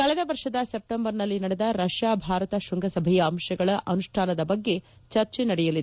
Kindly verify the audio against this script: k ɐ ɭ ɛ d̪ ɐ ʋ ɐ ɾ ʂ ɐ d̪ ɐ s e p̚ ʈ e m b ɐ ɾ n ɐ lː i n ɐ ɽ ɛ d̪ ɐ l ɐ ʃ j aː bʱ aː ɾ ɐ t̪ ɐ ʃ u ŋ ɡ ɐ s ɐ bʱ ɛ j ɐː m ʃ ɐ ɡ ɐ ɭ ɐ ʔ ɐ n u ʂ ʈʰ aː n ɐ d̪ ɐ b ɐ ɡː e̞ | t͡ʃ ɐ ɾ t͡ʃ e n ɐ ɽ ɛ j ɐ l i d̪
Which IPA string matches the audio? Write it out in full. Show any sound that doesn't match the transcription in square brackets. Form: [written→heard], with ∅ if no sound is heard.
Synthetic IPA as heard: k ɐ ɭ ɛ d̪ ɐ ʋ ɐ ɾ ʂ ɐ d̪ ɐ s e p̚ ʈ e m b ɐ ɾ n ɐ lː i n ɐ ɽ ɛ d̪ ɐ [l→ɾ] ɐ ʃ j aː bʱ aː ɾ ɐ t̪ ɐ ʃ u ŋ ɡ ɐ s ɐ bʱ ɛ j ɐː m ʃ ɐ ɡ ɐ ɭ ɐ ʔ ɐ n u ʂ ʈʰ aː n ɐ d̪ ɐ b ɐ ɡː e̞ | t͡ʃ ɐ ɾ t͡ʃ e n ɐ ɽ ɛ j ɐ l i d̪